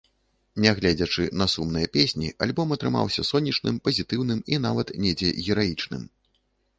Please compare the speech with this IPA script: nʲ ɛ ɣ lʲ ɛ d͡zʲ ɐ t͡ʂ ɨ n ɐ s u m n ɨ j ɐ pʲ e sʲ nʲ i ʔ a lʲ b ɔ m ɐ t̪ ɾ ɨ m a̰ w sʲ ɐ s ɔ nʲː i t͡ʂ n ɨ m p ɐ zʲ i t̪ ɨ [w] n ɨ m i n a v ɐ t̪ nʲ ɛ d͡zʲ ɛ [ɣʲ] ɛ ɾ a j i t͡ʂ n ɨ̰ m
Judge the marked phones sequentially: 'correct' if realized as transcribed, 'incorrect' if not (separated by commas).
correct, correct